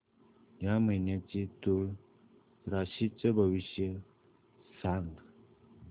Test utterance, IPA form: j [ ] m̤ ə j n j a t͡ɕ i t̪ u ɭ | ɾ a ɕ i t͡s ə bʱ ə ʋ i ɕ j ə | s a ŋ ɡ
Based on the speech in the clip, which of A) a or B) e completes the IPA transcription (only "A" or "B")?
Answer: A